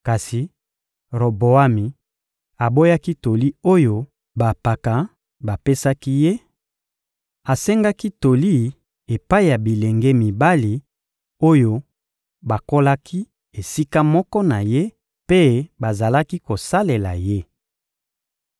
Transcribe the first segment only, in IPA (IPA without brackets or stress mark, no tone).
k